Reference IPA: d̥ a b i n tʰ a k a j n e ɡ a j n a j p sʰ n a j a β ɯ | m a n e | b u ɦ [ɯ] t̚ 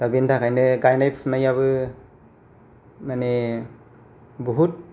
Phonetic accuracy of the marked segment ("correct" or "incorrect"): incorrect